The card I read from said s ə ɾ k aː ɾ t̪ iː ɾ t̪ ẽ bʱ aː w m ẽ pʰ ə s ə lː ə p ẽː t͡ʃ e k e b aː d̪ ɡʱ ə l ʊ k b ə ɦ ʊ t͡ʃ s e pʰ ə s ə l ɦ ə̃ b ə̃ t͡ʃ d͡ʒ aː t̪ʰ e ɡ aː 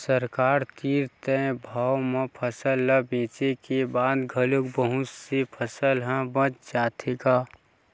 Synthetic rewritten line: s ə ɾ k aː ɾ t̪ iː ɾ t̪ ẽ bʱ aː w m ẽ pʰ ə s ə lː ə b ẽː t͡ʃ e k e b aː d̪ ɡʱ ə l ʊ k b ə ɦ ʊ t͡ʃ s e pʰ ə s ə l ɦ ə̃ b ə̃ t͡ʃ d͡ʒ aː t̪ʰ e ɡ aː